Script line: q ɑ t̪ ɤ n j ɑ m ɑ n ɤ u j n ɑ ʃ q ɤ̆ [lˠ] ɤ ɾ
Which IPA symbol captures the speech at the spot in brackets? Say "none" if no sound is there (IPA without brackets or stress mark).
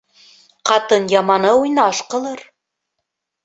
lˠ